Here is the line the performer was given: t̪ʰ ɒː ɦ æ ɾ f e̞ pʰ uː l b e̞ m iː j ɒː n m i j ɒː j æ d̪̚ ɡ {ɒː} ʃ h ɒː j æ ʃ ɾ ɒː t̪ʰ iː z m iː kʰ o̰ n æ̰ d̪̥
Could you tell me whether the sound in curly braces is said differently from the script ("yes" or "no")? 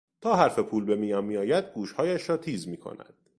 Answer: yes